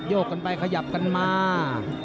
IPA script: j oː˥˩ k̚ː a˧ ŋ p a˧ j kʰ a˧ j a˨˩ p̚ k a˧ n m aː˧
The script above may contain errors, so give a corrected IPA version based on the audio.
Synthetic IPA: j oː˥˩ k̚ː a˧ n p a˧ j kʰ a˧ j a˨˩ p̚ k a˧ n m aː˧